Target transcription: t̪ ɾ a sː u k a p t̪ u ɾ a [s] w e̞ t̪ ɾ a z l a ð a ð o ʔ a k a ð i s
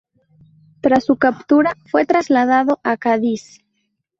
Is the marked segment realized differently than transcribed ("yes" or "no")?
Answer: yes